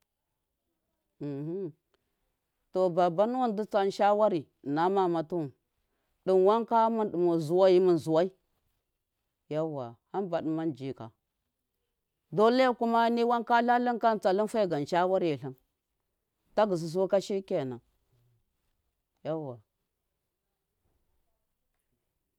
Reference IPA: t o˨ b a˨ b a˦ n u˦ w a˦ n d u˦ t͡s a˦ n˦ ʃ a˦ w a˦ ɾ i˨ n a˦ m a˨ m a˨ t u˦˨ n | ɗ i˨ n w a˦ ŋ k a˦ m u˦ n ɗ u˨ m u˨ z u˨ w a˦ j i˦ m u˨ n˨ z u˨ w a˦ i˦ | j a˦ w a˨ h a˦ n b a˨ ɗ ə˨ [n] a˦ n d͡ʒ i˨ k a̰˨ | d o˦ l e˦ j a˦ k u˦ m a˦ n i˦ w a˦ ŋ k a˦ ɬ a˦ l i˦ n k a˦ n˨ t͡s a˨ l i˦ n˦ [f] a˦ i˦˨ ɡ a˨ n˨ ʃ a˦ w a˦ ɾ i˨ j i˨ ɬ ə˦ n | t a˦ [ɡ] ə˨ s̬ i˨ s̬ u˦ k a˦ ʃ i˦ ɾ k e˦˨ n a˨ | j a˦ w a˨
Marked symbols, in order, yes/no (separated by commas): no, yes, yes